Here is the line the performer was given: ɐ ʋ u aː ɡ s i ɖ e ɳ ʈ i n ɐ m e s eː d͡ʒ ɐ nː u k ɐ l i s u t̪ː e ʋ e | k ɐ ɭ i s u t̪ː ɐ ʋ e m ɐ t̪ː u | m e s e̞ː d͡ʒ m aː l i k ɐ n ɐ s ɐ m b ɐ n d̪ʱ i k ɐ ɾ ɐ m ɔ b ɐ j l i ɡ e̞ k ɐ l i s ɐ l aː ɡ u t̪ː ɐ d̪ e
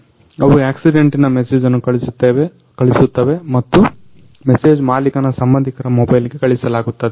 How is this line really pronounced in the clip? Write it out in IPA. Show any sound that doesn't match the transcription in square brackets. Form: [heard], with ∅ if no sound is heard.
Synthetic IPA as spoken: ɐ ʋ u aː [k] s i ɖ e ɳ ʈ i n ɐ m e s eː d͡ʒ ɐ nː u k ɐ [ɭ] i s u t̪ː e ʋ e | k ɐ ɭ i s u t̪ː ɐ ʋ e m ɐ t̪ː u | m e s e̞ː d͡ʒ m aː l i k ɐ n ɐ s ɐ m b ɐ n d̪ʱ i k ɐ ɾ ɐ m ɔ b ɐ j l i ɡ e̞ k ɐ [ɭ] i s ɐ l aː ɡ u t̪ː ɐ d̪ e